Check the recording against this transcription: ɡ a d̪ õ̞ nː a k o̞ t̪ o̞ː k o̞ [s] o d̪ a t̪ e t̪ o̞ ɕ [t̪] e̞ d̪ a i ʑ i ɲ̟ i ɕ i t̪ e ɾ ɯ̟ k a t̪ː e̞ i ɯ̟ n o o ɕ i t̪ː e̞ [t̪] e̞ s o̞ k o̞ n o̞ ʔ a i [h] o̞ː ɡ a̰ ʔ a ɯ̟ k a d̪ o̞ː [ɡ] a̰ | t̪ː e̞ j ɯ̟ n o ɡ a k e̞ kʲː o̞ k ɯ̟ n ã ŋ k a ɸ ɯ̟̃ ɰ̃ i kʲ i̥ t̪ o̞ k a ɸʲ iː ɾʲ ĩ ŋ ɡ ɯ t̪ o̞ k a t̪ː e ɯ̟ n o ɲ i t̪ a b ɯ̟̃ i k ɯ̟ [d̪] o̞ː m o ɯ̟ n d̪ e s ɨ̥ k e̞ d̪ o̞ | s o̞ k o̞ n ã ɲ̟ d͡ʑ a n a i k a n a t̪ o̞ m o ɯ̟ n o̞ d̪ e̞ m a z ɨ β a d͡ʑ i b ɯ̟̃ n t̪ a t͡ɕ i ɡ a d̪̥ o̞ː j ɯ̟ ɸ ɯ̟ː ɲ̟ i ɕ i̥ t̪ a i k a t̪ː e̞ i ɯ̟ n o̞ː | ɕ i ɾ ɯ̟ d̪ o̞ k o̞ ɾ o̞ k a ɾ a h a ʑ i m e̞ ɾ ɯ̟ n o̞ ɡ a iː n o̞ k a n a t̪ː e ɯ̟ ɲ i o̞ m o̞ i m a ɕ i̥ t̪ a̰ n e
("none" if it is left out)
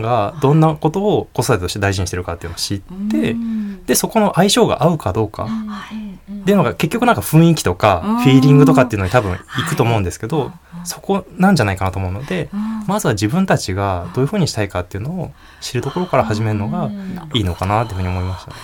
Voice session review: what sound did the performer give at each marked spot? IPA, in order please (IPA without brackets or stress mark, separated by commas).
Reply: s, t̪, d̪, ɕ, k, t̪